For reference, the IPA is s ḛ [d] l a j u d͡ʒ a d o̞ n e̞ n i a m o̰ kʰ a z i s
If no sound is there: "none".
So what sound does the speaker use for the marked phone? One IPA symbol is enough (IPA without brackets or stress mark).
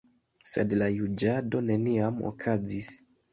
d